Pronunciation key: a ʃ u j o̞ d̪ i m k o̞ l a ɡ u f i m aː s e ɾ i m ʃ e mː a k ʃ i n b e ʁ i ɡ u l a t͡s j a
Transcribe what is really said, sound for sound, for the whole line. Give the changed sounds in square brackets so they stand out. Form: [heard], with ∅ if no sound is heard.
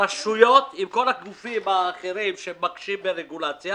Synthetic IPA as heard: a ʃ u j o̞ [t̪] i m k o̞ l a ɡ u f i m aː [χ] e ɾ i m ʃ e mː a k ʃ i [m] b e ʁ [e] ɡ u l a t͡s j a